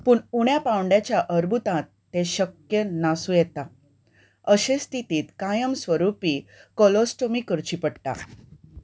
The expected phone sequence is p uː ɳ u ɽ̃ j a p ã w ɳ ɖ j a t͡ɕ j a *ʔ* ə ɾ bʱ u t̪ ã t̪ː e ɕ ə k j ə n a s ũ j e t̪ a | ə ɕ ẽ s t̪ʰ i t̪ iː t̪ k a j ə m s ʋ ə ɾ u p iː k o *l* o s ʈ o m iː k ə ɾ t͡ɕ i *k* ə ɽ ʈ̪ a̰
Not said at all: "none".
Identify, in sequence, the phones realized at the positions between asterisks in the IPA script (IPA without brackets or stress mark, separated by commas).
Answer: ʔ, l, p